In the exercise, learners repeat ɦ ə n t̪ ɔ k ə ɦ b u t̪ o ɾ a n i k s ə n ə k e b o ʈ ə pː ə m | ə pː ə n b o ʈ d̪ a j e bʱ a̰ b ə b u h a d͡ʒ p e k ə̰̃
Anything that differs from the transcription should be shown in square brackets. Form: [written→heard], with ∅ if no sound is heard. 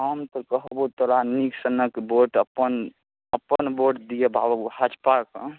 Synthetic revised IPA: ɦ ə [n→m] t̪ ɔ k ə ɦ b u t̪ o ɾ a n i k s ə n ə k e b o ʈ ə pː ə [m→n] | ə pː ə n b o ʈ d̪ [a→i] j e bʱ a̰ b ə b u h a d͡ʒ p [e→a] k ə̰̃